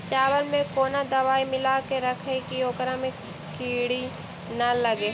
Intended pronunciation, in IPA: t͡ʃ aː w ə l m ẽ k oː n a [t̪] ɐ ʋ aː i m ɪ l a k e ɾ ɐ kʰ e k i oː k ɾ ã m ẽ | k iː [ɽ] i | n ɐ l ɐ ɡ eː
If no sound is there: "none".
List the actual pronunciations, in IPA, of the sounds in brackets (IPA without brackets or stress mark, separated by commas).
d̪, ɽ